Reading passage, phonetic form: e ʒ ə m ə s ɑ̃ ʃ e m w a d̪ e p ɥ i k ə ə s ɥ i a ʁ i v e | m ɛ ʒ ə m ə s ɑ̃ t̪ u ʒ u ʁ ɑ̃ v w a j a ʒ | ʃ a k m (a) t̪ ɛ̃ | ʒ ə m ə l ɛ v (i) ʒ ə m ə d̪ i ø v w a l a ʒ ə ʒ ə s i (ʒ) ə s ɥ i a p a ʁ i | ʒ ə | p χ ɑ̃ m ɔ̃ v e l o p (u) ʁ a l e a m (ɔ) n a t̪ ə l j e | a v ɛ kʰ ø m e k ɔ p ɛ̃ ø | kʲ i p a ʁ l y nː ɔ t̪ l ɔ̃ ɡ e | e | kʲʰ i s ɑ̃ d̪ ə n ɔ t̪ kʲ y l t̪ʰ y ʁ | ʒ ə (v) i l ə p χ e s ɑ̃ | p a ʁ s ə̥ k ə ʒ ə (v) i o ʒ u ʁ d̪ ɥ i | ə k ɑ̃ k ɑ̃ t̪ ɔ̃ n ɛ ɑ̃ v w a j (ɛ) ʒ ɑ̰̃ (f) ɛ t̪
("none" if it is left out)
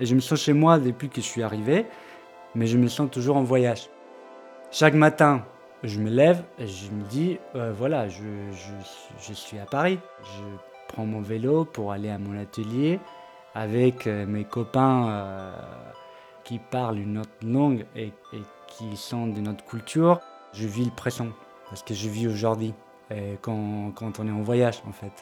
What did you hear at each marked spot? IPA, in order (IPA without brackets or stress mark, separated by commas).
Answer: a, e, ʒ, u, ɔ̃, v, v, a, f